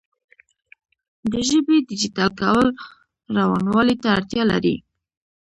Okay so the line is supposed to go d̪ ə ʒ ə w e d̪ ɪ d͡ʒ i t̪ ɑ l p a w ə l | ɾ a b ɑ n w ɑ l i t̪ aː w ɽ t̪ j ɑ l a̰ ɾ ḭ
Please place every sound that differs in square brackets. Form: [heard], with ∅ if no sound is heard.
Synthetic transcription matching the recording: d̪ ə ʒ ə [b] e d̪ ɪ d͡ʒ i t̪ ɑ l [k] a w ə l | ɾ a [w] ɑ n w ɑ l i t̪ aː [∅] ɽ t̪ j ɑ l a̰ ɾ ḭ